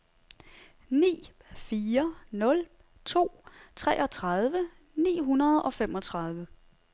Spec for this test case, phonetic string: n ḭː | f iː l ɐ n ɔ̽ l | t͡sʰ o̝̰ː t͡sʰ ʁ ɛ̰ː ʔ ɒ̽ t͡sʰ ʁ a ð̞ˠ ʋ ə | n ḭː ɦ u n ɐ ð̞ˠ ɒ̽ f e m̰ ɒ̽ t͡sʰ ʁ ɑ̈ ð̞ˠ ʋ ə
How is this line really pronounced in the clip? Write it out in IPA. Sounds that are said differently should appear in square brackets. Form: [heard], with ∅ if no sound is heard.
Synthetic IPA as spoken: n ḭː | f iː [∅] ɐ n ɔ̽ l | t͡sʰ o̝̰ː t͡sʰ ʁ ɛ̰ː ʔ ɒ̽ t͡sʰ ʁ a ð̞ˠ ʋ ə | n ḭː ɦ u n ɐ ð̞ˠ ɒ̽ f e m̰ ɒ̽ t͡sʰ ʁ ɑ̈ ð̞ˠ ʋ ə